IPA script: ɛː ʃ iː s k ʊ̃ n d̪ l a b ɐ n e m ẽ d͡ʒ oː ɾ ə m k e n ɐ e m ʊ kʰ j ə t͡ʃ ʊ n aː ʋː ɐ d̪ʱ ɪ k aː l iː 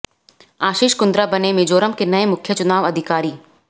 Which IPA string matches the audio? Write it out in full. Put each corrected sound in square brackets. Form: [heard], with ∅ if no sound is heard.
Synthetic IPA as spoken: [aː] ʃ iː [ʃ] k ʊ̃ n d̪ [ɾ] a b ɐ n e m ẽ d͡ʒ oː ɾ ə m k e n ɐ e m ʊ kʰ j ə t͡ʃ ʊ n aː [ʋ] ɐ d̪ʱ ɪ k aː [ɾ] iː